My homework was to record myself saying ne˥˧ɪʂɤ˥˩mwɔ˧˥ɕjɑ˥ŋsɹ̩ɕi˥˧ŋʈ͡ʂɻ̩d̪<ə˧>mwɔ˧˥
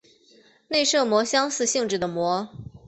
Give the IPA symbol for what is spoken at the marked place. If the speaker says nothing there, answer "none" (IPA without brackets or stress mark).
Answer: ə˩